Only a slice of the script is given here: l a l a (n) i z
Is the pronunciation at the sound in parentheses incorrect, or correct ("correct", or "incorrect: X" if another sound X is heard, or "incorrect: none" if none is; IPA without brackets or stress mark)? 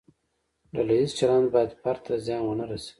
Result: incorrect: none